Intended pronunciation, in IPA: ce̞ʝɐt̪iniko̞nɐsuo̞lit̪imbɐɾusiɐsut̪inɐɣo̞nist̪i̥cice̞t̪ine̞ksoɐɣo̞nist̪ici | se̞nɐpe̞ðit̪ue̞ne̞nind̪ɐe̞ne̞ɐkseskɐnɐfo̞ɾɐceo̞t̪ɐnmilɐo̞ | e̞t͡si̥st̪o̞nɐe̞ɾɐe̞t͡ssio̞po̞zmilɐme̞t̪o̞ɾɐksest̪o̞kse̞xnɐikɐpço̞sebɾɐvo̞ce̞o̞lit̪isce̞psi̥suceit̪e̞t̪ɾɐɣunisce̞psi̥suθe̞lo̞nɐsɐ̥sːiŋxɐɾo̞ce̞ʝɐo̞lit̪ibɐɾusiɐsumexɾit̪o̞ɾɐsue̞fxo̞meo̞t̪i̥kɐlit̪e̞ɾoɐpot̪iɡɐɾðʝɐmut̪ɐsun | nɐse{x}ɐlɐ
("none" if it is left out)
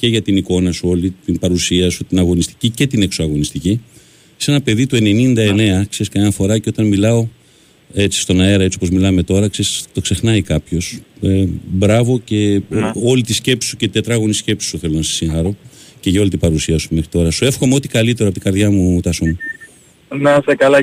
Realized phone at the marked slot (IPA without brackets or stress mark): k